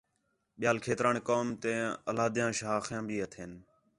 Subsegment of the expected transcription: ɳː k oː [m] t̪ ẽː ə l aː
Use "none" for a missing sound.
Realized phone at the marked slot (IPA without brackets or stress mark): m